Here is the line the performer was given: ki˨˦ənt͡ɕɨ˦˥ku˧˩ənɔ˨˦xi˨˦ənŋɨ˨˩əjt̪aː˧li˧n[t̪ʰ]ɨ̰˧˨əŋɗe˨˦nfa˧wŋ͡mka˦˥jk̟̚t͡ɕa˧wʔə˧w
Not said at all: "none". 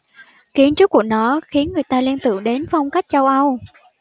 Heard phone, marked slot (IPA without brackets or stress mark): t̪